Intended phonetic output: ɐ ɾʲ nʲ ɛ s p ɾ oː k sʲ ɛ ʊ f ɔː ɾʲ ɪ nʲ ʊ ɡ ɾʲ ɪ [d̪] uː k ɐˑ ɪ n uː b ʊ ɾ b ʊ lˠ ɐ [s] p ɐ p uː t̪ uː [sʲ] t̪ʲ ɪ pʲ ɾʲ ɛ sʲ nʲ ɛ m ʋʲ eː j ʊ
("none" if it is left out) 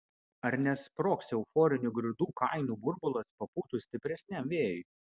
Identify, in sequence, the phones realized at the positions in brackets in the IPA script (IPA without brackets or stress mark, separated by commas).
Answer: d̪, s, sʲ